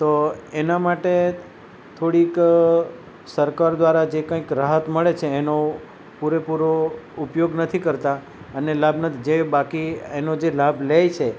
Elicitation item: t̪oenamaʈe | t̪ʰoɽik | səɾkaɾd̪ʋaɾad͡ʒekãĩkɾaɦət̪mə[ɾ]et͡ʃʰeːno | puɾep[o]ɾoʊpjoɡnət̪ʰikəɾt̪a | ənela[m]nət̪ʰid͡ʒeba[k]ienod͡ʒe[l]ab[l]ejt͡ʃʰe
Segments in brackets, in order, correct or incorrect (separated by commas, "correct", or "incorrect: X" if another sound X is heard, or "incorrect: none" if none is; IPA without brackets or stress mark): incorrect: ɭ, incorrect: u, incorrect: b, correct, correct, correct